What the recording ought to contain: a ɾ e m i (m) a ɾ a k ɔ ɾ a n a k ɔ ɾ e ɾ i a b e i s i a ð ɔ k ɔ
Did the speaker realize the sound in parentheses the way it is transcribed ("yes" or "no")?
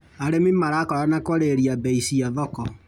yes